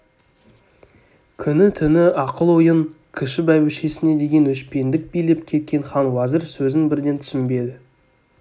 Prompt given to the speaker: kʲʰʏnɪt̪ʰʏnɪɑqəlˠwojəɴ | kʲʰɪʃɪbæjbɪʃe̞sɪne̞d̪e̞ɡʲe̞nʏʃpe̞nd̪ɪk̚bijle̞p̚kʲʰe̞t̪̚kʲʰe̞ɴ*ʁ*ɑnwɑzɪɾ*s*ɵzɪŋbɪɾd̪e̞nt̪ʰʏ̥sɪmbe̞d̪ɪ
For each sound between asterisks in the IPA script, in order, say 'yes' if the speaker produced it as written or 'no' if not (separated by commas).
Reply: no, yes